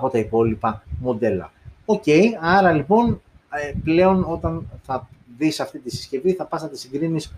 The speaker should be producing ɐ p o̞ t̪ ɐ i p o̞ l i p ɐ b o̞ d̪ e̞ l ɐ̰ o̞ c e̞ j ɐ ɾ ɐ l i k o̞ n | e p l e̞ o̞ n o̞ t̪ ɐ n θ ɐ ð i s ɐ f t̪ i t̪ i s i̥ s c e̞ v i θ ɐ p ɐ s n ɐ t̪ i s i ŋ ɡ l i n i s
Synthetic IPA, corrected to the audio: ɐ p o̞ t̪ ɐ i p o̞ l i p ɐ m o̞ d̪ e̞ l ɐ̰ o̞ c e̞ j ɐ ɾ ɐ l i p o̞ n | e p l e̞ o̞ n o̞ t̪ ɐ n θ ɐ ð i s ɐ f t̪ i t̪ i s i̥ s c e̞ v i θ ɐ p ɐ s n ɐ t̪ i s i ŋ ɡ ɾ i n i s